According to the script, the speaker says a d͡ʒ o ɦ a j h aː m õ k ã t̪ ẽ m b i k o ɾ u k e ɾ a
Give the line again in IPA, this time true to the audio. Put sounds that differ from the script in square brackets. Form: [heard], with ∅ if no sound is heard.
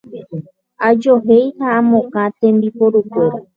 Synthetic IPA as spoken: a d͡ʒ o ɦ [e] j h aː m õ k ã t̪ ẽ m b i [p] o ɾ u k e ɾ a